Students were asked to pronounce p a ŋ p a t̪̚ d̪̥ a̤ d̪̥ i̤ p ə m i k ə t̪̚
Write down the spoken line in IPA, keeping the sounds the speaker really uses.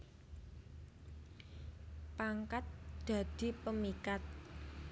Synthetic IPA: p a ŋ k a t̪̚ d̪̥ a̤ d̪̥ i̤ p ə m i k a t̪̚